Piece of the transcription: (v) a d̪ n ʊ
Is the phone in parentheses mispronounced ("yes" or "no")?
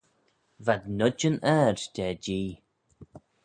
no